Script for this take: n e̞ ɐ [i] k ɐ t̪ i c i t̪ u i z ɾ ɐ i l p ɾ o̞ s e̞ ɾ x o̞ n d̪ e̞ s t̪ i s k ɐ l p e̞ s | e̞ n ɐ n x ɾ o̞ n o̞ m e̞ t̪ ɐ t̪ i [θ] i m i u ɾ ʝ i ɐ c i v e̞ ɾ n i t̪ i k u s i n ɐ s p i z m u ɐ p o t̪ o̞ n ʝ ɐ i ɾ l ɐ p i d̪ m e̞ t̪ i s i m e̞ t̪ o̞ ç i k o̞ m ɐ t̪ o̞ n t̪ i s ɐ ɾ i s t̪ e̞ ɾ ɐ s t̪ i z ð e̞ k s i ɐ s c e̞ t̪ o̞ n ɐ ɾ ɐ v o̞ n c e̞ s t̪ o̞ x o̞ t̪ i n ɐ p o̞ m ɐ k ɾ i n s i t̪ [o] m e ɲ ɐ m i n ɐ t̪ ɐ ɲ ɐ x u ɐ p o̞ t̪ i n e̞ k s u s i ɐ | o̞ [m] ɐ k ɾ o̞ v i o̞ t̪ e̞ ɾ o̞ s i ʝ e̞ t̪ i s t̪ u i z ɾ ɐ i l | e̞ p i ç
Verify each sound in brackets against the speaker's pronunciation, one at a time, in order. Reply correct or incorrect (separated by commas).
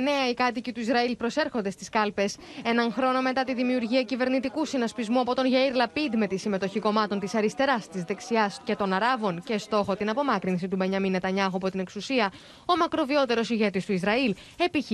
correct, incorrect, incorrect, correct